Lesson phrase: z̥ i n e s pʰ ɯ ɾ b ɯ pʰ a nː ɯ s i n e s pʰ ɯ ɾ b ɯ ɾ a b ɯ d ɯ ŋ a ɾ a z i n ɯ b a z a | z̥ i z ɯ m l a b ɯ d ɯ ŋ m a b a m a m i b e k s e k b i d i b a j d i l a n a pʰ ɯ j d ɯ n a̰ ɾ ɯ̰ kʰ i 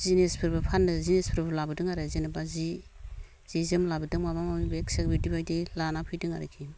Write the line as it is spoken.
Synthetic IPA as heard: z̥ i n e s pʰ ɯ ɾ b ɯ pʰ a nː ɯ z i n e s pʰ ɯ ɾ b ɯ l a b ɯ d ɯ ŋ a ɾ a z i n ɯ b a z i | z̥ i z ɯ m l a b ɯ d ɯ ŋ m a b a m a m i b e k s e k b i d i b a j d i l a n a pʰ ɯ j d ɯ ŋ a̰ ɾ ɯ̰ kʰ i